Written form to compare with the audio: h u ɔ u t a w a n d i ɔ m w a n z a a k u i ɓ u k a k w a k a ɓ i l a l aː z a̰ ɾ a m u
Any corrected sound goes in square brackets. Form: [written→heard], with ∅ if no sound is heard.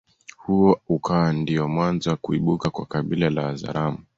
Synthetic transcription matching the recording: h u ɔ u [t→k] a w a n d i ɔ m w a n z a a k u i ɓ u k a k w a k a ɓ i l a l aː z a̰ ɾ a m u